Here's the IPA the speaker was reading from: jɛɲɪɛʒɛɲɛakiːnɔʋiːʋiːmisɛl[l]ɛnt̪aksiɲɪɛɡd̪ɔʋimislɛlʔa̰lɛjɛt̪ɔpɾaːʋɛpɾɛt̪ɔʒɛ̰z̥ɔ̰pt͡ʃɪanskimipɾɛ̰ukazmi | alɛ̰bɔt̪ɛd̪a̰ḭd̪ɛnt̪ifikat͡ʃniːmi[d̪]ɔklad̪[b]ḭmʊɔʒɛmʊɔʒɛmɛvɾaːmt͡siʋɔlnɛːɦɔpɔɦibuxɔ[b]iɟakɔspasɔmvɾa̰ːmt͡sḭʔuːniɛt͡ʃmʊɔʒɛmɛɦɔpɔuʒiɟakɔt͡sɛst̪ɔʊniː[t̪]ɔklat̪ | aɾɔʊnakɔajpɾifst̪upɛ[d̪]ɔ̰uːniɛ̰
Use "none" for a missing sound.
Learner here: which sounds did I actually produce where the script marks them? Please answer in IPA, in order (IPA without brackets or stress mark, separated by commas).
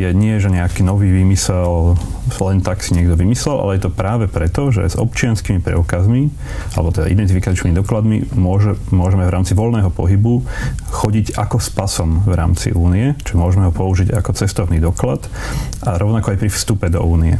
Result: l, d̪, m, ɟ, d̪, d̪